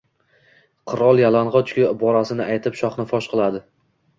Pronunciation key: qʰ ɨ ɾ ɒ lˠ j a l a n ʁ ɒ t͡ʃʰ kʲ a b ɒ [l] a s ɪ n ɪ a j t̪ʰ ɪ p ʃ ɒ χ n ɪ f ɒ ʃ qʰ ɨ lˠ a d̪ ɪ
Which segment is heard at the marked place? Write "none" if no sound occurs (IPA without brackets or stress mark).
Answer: ɾ